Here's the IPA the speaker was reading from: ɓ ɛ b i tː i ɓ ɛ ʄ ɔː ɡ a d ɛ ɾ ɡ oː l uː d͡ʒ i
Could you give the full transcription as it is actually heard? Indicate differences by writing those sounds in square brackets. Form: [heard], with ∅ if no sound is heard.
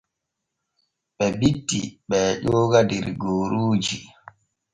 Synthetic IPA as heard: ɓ ɛ b i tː i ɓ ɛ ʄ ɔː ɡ a d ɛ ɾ ɡ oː [ɾ] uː d͡ʒ i